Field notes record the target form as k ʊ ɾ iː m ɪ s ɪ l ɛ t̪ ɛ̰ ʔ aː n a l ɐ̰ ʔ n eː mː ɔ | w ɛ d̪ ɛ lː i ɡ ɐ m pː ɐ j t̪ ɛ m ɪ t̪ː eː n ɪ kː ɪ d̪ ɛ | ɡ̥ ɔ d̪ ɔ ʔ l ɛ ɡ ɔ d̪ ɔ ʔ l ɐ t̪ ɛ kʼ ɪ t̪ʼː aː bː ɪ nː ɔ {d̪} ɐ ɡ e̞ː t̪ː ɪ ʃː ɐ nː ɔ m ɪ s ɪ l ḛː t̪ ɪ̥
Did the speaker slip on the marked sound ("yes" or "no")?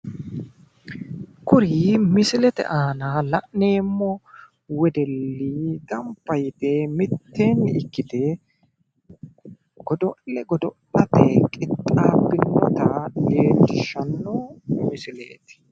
yes